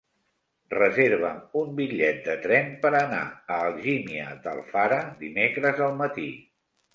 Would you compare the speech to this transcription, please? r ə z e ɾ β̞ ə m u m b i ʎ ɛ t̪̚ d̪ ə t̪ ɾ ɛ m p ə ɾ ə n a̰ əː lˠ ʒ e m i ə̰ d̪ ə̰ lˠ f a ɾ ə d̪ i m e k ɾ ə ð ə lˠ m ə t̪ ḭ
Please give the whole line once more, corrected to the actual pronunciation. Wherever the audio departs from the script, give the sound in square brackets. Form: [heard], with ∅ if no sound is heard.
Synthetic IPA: r ə z e ɾ β̞ ə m u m b i ʎ ɛ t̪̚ d̪ ə t̪ ɾ ɛ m p ə ɾ ə n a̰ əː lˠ ʒ [i] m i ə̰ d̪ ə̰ lˠ f a ɾ ə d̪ i m e k ɾ ə [z] ə lˠ m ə t̪ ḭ